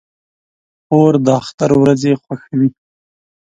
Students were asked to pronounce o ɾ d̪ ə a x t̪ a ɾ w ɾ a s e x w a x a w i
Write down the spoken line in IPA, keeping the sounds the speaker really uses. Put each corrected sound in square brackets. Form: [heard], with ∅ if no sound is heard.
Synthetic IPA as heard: o ɾ d̪ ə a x t̪ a ɾ w ɾ a [z] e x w a x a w i